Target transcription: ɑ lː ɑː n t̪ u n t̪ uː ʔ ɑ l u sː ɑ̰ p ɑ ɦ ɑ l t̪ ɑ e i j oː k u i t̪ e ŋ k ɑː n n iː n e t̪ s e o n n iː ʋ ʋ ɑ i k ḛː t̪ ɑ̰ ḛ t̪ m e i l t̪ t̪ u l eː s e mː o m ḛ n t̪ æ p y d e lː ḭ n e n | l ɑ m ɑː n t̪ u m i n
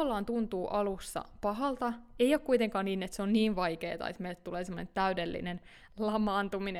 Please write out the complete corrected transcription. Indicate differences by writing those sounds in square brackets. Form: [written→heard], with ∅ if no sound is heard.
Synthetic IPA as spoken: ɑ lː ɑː n t̪ u n t̪ uː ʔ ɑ l u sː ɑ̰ p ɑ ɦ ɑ l t̪ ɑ e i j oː k u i t̪ e ŋ k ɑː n n iː n e t̪ s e o n n iː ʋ ʋ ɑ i k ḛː t̪ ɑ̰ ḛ t̪ m e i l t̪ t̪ u l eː s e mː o [m→n] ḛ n t̪ æ [p→∅] y d e lː ḭ n e n | l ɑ m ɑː n t̪ u m i n